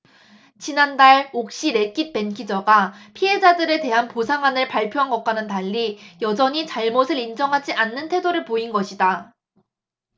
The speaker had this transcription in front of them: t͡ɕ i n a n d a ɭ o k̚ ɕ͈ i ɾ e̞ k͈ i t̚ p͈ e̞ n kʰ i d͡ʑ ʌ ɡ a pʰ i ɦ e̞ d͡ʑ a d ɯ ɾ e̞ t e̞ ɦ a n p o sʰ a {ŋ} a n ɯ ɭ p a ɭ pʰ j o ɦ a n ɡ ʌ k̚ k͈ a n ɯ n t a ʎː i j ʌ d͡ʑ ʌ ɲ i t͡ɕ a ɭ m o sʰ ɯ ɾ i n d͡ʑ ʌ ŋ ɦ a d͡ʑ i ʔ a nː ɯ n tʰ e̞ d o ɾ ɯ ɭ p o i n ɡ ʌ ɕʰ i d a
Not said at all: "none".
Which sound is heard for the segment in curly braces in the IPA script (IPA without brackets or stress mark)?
ŋ